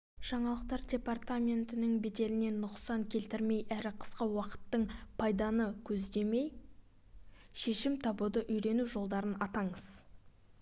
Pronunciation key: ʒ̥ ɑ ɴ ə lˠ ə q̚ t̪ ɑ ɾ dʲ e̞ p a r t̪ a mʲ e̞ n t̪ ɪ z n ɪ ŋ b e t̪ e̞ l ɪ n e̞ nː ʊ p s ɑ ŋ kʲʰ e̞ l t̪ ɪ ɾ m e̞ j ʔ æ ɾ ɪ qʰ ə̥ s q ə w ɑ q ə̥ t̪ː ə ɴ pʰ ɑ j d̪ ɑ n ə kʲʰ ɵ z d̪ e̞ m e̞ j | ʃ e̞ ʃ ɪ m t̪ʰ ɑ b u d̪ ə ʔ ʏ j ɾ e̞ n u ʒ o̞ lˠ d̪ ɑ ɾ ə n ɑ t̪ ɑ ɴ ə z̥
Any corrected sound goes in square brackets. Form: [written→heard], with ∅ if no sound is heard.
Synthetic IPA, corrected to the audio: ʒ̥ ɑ ɴ [ə→ɑ] lˠ ə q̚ t̪ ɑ ɾ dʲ e̞ p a r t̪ a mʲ e̞ n t̪ ɪ [z→∅] n ɪ ŋ b e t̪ e̞ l ɪ n e̞ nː ʊ [p→q] s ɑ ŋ kʲʰ e̞ l t̪ ɪ ɾ m e̞ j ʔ æ ɾ ɪ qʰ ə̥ s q ə w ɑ q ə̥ t̪ː ə ɴ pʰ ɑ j d̪ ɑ n ə kʲʰ ɵ z d̪ e̞ m e̞ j | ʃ e̞ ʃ ɪ m t̪ʰ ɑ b u d̪ ə ʔ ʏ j ɾ e̞ n u ʒ o̞ lˠ d̪ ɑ ɾ ə n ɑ t̪ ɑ ɴ ə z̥